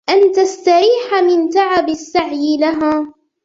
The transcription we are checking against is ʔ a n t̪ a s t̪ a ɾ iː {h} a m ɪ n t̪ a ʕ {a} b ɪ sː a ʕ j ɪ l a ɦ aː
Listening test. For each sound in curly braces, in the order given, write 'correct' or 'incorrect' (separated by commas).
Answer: incorrect, correct